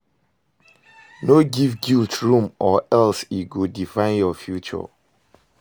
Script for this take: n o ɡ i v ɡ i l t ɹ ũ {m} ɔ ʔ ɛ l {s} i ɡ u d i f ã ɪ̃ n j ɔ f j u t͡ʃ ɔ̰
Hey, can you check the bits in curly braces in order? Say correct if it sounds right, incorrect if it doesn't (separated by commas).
correct, correct